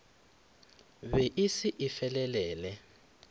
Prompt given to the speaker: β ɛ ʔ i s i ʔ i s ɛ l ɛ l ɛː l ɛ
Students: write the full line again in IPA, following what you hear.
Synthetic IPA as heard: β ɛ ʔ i s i ʔ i f ɛ l ɛ l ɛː l ɛ

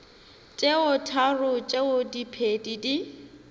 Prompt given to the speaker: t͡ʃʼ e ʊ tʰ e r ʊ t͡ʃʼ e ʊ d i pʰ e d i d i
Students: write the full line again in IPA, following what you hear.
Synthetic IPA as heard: t͡ʃʼ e ʊ tʰ a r ʊ t͡ʃʼ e ʊ d i pʰ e d i d i

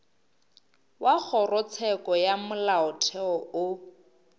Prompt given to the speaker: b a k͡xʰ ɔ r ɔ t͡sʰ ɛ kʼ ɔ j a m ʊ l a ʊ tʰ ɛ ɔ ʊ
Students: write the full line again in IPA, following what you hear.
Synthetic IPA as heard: w a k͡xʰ ɔ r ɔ t͡sʰ ɛ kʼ ɔ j a m ʊ l a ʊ tʰ ɛ ɔ ʊ

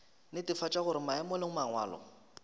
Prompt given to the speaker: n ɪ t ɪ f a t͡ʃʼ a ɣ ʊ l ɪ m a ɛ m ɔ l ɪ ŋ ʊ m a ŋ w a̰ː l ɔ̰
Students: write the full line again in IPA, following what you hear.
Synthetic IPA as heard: n ɪ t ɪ f a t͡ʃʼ a ɣ ʊ ɾ ɪ m a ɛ m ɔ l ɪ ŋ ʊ m a ŋ w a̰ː l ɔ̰

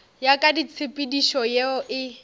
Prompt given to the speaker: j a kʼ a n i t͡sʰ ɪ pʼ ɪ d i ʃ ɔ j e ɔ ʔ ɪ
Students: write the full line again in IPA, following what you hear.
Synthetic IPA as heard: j a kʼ a d i t͡sʰ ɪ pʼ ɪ d i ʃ ɔ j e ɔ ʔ ɪ

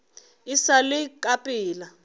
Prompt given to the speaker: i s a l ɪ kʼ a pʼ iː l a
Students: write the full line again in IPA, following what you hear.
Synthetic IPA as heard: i s a l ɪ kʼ a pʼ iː l a

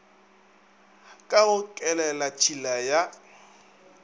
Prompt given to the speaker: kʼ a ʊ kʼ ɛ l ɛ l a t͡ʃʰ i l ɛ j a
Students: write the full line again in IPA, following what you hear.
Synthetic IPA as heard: kʼ a ʊ kʼ ɛ l ɛ l a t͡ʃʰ i l a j a

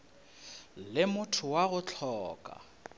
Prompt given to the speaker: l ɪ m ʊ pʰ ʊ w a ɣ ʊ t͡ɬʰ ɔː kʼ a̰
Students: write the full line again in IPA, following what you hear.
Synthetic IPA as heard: l ɪ m ʊ tʰ ʊ w a ɣ ʊ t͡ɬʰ ɔː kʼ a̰

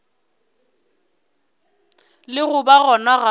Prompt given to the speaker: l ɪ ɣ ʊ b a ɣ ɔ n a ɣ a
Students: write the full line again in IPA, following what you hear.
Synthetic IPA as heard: l ɪ ɣ ʊ b a ɣ ɔ n a ɣ a

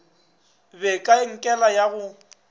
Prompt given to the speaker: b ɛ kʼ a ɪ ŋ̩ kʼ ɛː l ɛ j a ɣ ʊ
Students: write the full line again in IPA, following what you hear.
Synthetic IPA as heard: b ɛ kʼ a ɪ ŋ̩ kʼ ɛ l a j a ɣ ʊ

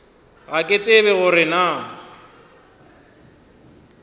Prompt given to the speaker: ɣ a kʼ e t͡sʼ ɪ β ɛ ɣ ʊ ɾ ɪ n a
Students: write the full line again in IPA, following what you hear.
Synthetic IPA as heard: ɣ a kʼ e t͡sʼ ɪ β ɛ ɣ ʊ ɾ ɪ n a

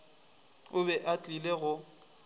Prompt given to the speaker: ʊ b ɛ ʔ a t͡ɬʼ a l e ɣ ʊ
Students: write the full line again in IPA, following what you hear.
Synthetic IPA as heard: ʊ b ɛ ʔ a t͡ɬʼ i l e ɣ ʊ

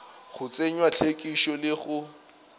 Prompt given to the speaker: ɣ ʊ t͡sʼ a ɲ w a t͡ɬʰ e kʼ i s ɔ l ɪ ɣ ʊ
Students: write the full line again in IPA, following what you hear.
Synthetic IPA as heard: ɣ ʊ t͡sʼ e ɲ w a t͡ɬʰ e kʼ i ʃ ɔ l ɪ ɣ ʊ

